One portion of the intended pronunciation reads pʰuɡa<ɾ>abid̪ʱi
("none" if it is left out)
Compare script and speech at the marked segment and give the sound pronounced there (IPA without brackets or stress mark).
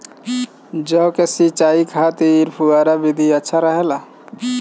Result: ɾ